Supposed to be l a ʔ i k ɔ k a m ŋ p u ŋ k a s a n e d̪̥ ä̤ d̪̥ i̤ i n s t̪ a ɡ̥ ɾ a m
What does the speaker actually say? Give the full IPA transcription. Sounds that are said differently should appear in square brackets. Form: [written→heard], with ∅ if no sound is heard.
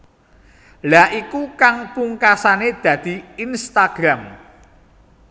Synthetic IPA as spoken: l a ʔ i k [ɔ→u] k a [m→∅] ŋ p u ŋ k a s a n e d̪̥ ä̤ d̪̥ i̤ i n s t̪ a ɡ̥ ɾ a m